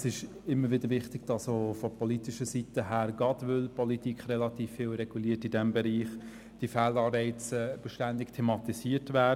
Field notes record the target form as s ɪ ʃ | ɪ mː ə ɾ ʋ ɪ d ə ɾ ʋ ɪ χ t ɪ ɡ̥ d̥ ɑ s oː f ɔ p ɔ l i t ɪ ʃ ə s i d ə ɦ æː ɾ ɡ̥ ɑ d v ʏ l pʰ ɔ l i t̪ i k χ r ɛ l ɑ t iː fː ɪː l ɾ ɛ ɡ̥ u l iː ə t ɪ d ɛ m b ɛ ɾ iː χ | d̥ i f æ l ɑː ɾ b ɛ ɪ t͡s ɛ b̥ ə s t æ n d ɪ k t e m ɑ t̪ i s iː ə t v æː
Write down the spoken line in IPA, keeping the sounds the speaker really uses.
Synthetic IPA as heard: s ɪ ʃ | ɪ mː ə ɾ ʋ ɪ d ə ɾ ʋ ɪ χ t ɪ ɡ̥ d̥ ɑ s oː f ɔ p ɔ l i t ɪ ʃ ə s i t ə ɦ æː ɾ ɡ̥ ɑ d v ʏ l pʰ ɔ l i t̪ i k χ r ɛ l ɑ t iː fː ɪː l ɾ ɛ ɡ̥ u l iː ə t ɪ d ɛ m b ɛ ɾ iː χ | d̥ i f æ l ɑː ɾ b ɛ ɪ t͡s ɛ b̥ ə ʃ t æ n d ɪ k tʰ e m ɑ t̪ i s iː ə t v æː